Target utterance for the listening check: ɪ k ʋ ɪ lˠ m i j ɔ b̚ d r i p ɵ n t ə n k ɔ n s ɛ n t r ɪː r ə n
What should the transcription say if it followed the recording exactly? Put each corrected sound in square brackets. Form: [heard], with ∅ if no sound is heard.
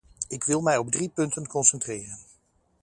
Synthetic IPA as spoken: ɪ k ʋ ɪ lˠ m [ɛ] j ɔ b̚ d r i p ɵ n t ə n k ɔ n s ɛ n t r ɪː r ə n